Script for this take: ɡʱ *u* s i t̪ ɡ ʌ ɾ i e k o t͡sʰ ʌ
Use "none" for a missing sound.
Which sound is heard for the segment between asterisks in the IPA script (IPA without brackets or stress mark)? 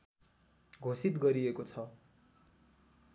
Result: o